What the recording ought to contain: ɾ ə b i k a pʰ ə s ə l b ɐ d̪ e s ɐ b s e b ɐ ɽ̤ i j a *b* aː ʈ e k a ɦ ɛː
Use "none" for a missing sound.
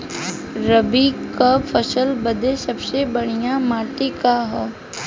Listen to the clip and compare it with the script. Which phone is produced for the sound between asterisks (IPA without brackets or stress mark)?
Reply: m